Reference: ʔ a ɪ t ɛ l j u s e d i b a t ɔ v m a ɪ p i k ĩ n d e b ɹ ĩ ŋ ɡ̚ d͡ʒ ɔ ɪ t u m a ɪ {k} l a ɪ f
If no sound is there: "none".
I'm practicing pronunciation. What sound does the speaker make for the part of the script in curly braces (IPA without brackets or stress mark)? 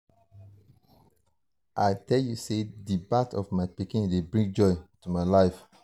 none